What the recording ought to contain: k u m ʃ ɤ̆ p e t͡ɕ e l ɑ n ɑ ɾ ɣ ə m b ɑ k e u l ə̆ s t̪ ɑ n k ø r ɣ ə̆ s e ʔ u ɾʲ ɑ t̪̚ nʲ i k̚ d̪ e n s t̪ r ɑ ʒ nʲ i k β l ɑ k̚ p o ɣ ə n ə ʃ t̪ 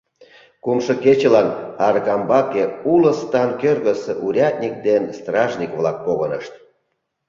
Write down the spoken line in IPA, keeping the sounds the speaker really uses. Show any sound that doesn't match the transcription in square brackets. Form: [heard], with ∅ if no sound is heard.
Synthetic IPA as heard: k u m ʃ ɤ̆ [k] e t͡ɕ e l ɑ n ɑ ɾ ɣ [ɑ] m b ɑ k e u l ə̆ s t̪ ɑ n k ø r ɣ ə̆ s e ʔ u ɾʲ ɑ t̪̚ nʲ i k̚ d̪ e n s t̪ r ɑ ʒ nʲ i k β l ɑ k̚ p o ɣ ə n ə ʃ t̪